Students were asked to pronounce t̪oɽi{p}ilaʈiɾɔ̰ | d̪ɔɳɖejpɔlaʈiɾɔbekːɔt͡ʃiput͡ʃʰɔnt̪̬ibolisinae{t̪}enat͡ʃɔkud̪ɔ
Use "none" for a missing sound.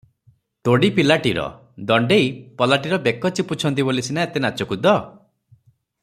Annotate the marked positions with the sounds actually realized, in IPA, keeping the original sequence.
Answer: p, t̪

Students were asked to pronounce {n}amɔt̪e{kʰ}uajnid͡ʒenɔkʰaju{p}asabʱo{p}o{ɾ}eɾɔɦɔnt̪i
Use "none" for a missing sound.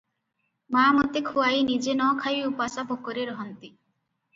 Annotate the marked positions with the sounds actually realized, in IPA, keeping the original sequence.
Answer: m, kʰ, p, k, ɾ

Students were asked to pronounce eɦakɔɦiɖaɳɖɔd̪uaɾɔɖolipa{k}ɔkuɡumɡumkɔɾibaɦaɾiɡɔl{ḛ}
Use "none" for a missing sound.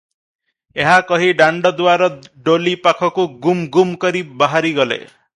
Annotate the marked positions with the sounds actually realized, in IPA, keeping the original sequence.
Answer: kʰ, ḛ

